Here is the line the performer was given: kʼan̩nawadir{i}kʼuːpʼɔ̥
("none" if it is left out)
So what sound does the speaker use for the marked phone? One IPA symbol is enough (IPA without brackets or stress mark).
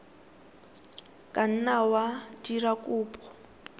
a